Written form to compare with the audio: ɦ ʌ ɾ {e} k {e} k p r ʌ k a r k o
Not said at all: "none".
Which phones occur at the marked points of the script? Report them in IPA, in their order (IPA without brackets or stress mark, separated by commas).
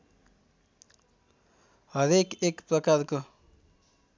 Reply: e, e